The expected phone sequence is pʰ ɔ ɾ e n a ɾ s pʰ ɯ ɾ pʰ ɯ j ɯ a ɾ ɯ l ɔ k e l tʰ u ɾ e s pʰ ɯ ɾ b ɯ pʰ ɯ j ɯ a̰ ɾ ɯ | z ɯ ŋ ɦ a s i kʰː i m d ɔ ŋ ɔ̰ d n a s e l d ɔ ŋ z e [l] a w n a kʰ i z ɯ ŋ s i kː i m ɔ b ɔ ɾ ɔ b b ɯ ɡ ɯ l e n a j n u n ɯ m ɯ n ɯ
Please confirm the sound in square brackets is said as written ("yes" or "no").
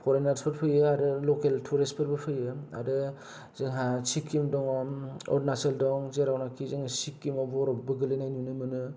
no